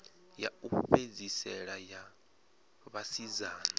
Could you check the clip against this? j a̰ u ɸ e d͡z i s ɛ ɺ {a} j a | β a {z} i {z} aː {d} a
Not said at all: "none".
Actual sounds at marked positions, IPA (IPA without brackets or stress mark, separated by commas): a, s, z, n